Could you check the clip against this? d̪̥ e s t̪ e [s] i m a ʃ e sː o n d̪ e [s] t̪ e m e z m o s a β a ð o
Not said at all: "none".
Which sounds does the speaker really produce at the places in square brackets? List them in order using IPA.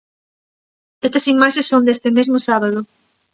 s, s

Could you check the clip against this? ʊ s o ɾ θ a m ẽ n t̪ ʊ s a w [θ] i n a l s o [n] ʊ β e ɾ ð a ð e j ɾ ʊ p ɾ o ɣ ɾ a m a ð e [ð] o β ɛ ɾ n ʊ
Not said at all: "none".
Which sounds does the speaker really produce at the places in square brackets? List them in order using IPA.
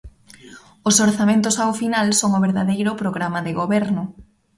f, ŋ, ɣ

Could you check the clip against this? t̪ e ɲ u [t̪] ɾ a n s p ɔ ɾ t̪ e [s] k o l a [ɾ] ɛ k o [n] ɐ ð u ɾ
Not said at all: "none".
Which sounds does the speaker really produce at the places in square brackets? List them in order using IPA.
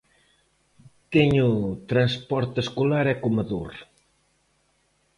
t̪, s, ɾ, m

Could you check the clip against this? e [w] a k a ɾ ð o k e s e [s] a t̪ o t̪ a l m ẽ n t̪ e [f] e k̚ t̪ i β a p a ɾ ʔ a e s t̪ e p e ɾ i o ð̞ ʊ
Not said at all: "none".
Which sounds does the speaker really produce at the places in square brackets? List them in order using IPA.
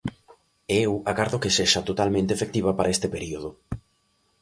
w, ʃ, f

